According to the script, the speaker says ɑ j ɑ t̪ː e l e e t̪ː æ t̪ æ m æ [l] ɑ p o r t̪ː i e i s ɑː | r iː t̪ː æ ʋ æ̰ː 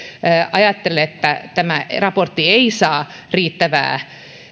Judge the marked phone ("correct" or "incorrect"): incorrect